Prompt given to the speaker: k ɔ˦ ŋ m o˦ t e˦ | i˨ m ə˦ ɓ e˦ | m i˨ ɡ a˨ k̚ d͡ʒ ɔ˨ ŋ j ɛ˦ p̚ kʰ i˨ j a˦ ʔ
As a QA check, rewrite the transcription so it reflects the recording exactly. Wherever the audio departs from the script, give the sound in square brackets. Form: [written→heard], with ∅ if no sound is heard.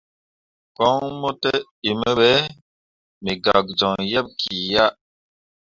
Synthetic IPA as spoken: k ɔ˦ ŋ m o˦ t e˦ | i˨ m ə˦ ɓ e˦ | m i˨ ɡ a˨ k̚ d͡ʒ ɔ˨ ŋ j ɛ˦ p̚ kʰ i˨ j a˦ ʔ